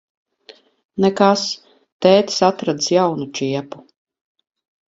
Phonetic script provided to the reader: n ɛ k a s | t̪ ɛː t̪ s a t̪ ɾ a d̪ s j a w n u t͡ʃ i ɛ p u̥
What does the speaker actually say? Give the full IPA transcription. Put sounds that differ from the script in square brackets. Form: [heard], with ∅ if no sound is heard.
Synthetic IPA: n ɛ k a s | t̪ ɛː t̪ s a t̪ ɾ a d̪ s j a w n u t͡ʃ i ɛ p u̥